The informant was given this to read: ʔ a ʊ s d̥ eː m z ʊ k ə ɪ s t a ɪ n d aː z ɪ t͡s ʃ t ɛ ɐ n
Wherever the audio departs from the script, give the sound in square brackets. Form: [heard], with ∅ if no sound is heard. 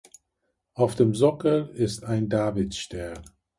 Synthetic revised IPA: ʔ a ʊ [f] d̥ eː m z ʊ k ə ɪ s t a ɪ n d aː [v] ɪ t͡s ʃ t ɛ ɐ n